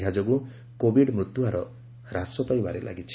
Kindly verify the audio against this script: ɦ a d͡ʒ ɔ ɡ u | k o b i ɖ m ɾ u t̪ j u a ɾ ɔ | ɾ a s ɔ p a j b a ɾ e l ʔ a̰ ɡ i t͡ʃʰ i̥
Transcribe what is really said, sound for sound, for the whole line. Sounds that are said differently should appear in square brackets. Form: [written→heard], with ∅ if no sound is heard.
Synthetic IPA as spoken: ɦ a d͡ʒ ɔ ɡ u | k o b i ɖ m ɾ u t̪ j u a ɾ ɔ | ɾ a s ɔ p a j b a ɾ e l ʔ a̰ ɡ i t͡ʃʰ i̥